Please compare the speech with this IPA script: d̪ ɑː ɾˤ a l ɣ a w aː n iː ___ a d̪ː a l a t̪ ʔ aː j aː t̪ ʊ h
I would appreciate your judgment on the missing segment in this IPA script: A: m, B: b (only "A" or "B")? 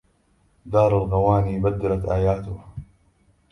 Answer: B